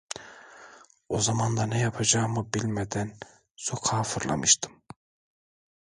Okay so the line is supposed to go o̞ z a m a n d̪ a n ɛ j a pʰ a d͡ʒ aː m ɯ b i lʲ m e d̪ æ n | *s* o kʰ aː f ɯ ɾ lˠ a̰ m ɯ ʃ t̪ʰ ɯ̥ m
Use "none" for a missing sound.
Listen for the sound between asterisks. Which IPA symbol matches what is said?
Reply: s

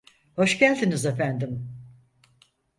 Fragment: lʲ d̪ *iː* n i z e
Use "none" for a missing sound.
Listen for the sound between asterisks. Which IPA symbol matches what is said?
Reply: i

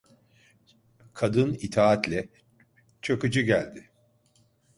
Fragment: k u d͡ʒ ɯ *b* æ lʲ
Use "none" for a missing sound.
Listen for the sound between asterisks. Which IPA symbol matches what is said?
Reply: ɟ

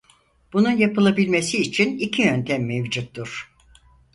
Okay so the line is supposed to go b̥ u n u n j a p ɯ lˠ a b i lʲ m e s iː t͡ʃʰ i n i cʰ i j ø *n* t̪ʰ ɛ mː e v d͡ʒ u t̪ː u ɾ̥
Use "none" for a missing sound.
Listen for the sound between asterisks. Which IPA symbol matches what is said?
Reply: n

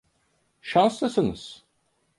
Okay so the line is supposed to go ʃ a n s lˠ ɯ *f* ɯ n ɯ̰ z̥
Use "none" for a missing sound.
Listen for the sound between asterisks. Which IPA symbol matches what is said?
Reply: s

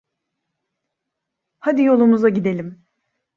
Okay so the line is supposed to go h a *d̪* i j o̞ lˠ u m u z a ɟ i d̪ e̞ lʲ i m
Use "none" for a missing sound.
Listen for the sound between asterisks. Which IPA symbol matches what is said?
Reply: d̪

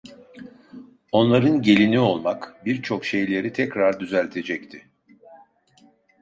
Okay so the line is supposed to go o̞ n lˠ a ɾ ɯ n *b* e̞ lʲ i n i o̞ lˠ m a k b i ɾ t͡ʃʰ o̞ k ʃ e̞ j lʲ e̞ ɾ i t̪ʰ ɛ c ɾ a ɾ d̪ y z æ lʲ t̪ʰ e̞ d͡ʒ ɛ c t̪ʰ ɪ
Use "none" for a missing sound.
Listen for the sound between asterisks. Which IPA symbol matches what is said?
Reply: ɟ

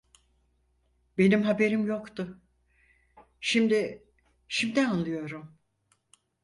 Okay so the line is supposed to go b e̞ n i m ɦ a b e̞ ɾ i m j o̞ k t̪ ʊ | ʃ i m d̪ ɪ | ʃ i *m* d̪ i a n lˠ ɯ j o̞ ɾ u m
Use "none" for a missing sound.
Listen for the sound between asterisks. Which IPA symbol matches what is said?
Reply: m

